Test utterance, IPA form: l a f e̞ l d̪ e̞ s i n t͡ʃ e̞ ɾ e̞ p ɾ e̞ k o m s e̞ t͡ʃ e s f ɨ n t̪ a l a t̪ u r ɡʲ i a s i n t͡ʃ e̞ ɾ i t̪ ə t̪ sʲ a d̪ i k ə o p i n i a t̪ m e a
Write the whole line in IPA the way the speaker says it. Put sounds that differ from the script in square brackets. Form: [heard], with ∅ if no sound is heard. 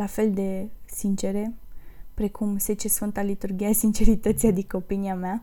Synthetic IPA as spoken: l a f e̞ l d̪ e̞ s i n t͡ʃ e̞ ɾ e̞ p ɾ e̞ k [u] m s e̞ t͡ʃ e s f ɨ n t̪ a l [i] t̪ u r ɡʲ i a s i n t͡ʃ e̞ ɾ i t̪ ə t̪ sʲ a d̪ i k ə o p i n i a [∅] m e a